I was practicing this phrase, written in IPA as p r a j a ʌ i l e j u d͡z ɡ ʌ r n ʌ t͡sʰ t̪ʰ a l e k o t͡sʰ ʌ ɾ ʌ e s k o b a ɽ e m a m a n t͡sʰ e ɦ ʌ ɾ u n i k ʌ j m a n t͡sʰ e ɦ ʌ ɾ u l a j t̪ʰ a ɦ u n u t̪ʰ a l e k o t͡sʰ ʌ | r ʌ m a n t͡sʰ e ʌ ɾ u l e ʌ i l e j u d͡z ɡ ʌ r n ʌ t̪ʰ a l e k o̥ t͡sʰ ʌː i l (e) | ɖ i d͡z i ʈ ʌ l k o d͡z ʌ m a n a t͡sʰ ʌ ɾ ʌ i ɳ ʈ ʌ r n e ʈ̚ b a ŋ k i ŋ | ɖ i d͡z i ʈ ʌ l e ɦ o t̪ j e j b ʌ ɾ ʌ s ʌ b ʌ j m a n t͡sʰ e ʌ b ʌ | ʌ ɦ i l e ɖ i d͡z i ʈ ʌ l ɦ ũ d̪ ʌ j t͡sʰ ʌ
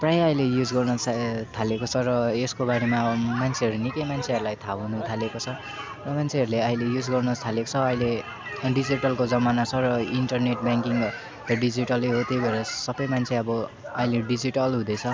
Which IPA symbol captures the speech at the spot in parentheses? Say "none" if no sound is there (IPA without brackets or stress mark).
e